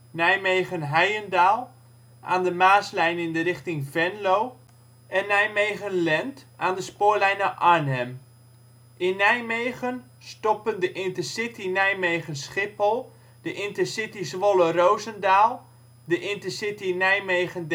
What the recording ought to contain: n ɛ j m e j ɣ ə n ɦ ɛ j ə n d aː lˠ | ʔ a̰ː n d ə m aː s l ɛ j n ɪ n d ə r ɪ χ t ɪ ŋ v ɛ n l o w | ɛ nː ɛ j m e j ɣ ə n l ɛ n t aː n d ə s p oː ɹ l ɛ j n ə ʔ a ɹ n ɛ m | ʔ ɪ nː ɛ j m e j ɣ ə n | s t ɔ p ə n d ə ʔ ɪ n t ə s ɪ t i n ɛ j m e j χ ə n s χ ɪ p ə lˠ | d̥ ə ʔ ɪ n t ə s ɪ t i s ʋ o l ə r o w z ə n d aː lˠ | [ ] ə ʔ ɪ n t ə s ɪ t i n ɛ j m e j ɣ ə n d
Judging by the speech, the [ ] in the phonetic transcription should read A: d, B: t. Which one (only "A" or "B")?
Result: A